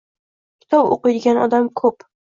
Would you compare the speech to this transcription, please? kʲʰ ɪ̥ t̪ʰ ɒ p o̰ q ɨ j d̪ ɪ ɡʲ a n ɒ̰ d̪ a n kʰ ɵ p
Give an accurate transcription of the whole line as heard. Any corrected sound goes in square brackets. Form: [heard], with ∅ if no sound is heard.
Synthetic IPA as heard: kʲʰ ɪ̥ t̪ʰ ɒ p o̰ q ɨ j d̪ ɪ ɡʲ a n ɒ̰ d̪ a [m] kʰ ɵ p